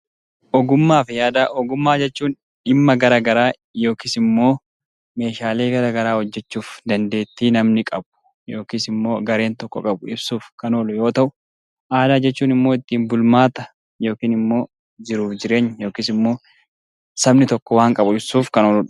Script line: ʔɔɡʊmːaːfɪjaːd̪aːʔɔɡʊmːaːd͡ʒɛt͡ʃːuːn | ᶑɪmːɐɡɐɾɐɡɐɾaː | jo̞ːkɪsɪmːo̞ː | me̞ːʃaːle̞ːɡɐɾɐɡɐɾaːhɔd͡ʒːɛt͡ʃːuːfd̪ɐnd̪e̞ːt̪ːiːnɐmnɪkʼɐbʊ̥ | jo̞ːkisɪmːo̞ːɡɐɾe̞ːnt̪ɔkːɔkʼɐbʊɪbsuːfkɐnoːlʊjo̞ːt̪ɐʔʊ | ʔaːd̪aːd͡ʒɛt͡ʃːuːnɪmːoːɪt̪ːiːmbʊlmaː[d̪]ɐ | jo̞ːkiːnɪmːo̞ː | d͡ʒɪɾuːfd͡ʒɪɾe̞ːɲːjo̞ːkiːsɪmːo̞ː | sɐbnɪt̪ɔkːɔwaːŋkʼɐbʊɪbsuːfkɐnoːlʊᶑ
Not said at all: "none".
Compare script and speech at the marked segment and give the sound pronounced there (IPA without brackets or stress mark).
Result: t̪